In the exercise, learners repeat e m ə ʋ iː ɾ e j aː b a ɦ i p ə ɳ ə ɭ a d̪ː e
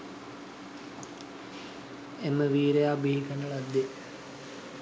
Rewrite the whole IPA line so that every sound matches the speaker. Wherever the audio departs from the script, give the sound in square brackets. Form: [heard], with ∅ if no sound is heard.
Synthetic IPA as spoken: e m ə ʋ iː ɾ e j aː b [i] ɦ i [k] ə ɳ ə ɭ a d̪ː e